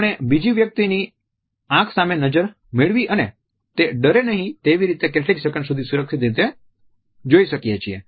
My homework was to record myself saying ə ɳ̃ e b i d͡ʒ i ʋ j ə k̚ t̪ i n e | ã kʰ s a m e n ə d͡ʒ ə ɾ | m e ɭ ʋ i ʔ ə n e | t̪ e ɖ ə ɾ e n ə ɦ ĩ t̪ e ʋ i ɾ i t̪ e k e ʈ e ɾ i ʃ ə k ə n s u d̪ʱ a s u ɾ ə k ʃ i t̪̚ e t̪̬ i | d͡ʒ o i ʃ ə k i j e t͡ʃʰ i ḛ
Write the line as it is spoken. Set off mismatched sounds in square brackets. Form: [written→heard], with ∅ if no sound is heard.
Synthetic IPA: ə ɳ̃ e b i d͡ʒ i ʋ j ə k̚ t̪ i n [e→i] | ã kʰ s a m e n ə d͡ʒ ə ɾ | m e ɭ ʋ i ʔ ə n e | t̪ e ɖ ə ɾ e n ə ɦ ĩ t̪ e ʋ i ɾ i t̪ e k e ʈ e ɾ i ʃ ə k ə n s u d̪ʱ [a→i] s u ɾ ə k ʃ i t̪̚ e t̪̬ [i→e] | d͡ʒ o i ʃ ə k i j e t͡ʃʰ i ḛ

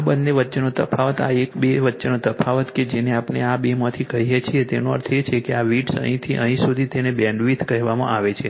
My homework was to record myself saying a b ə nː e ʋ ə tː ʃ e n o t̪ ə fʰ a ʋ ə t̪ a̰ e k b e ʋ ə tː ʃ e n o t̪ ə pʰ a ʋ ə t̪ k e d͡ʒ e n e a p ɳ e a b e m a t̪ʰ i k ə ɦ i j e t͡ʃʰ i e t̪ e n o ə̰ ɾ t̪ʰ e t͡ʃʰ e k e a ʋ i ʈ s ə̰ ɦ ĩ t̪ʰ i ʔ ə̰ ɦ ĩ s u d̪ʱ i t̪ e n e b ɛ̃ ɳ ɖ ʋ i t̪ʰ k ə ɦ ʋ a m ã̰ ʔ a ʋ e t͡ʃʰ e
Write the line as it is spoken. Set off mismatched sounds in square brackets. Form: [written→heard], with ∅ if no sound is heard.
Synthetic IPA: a b ə nː e ʋ ə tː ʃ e n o t̪ ə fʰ a ʋ ə t̪ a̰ e k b e ʋ ə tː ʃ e n o t̪ ə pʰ a ʋ ə t̪ k e d͡ʒ e n e a p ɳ e a b e m a t̪ʰ i k ə ɦ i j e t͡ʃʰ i e t̪ e n o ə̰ ɾ t̪ʰ e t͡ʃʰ e k e a ʋ i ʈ s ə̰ ɦ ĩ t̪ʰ i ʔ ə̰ ɦ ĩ s u d̪ʱ i t̪ e n e b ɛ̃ ɳ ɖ ʋ i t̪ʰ k ə ɦ ʋ a m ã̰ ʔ a ʋ e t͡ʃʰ e

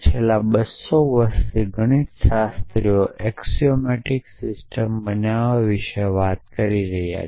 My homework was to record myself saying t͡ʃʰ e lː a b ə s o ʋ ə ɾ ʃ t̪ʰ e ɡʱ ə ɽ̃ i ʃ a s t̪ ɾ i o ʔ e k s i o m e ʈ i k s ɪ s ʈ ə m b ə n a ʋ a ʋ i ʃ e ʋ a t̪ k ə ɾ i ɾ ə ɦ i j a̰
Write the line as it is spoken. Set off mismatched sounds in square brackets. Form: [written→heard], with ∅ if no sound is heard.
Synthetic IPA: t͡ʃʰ e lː a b ə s o ʋ ə ɾ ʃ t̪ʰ [e→i] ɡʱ ə ɽ̃ i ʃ a s t̪ ɾ i o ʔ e k s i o m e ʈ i k s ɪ s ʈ ə m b ə n a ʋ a ʋ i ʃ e ʋ a t̪ k ə ɾ i ɾ ə ɦ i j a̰

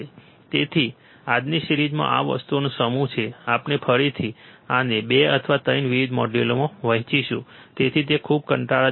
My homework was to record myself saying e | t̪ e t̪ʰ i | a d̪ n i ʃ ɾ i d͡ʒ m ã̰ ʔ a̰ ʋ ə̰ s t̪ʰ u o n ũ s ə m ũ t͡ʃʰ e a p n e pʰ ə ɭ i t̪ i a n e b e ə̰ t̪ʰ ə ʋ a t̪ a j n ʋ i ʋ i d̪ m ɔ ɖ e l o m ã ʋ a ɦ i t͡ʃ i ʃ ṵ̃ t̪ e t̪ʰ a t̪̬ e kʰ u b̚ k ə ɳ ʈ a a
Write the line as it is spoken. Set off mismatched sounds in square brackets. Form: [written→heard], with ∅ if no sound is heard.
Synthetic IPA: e | t̪ e t̪ʰ i | a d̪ n i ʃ ɾ i d͡ʒ m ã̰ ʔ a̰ ʋ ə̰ s [t̪ʰ→t̪] u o n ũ s ə m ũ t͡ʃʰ e a p n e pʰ ə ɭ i [t̪→t̪ʰ] i a n e b e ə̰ t̪ʰ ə ʋ a t̪ [a→ə] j n ʋ i ʋ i d̪ m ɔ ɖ e l o m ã ʋ [a→ə] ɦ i t͡ʃ i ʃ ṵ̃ t̪ e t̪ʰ [a→i] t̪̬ e kʰ u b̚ k ə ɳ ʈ a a

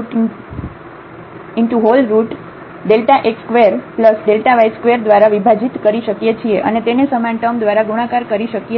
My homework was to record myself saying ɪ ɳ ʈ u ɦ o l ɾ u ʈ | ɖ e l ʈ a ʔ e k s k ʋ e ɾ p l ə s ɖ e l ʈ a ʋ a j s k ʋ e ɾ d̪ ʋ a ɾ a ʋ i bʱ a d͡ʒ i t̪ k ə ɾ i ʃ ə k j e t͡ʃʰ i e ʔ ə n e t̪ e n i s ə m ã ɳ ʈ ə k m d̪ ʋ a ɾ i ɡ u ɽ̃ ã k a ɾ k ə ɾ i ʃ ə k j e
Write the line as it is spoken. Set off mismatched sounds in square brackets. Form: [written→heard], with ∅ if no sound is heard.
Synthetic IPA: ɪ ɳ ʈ u ɦ o l ɾ u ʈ | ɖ e l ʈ a ʔ e k s k ʋ e ɾ p l ə s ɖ e l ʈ a ʋ a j s k ʋ e ɾ d̪ ʋ a ɾ a ʋ i bʱ a d͡ʒ i t̪ k ə ɾ i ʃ ə k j e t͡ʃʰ i e ʔ ə n e t̪ e n [i→e] s ə m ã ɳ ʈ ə [k→∅] m d̪ ʋ a ɾ [i→a] ɡ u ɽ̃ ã k a ɾ k ə ɾ i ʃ ə k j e

